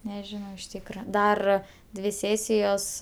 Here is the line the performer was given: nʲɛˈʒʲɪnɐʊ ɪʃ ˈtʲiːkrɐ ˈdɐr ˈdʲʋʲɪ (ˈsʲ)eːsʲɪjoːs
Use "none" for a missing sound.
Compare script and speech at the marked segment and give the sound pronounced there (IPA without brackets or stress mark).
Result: sʲ